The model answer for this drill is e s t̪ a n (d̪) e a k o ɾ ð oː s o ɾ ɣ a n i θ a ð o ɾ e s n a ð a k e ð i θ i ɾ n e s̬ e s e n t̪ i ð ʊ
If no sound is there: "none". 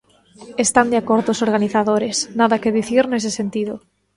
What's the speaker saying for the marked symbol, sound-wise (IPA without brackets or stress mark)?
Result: d̪